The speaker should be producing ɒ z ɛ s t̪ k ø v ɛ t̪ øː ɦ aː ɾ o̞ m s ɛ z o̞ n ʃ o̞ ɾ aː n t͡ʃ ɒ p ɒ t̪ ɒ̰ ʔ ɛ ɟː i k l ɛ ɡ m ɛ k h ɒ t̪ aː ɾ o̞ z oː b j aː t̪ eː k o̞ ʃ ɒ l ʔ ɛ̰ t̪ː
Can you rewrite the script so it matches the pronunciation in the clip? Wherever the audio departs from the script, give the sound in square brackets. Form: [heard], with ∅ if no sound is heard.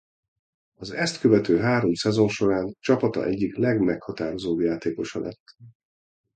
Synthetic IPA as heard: ɒ z ɛ s t̪ k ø v ɛ t̪ øː ɦ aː ɾ o̞ m s ɛ z o̞ n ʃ o̞ ɾ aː n t͡ʃ ɒ p ɒ t̪ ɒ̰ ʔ ɛ ɟː i k l ɛ ɡ m ɛ k h ɒ t̪ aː ɾ o̞ z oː b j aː t̪ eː k o̞ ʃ ɒ l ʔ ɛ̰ t̪ː